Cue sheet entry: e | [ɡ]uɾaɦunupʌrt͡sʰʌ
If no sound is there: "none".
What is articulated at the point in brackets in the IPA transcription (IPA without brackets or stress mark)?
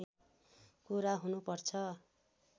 k